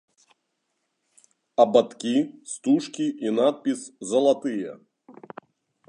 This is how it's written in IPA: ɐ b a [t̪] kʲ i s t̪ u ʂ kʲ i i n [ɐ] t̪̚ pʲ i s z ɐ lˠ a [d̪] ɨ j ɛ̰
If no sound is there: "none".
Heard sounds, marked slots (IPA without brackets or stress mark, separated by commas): t̪, a, t̪